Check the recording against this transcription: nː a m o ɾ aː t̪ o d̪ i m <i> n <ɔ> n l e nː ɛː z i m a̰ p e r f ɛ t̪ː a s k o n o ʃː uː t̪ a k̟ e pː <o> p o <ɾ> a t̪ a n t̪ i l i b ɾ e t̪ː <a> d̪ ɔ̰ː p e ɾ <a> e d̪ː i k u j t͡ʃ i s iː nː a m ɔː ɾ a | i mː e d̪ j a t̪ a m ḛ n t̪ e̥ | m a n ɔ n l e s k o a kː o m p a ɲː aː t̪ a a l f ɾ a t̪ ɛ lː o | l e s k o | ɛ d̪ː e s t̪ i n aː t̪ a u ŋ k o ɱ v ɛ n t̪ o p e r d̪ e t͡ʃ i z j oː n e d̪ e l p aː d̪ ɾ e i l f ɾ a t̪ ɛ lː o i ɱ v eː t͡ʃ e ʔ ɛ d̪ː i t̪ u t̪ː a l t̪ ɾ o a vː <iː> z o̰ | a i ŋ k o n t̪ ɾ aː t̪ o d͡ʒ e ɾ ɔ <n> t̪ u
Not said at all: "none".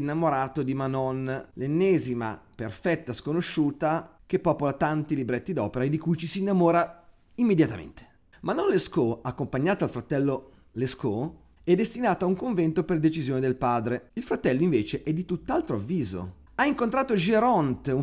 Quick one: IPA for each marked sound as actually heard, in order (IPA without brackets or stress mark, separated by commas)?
a, ɔ, ɔ, l, i, a, iː, n